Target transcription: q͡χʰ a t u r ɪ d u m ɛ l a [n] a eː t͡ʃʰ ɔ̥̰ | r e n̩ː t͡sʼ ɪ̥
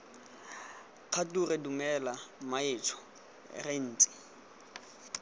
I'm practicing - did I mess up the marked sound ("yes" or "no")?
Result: yes